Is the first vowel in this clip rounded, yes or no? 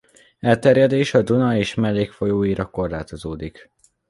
no